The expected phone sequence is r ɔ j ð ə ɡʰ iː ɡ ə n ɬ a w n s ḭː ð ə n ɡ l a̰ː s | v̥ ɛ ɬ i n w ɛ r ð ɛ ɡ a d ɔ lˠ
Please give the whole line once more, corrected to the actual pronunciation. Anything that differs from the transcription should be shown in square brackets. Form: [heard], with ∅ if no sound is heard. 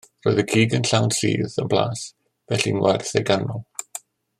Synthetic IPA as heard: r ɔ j ð ə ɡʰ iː ɡ ə n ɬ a w n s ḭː ð ə n [b] l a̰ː s | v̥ ɛ ɬ i n w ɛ r [θ] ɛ ɡ a [n] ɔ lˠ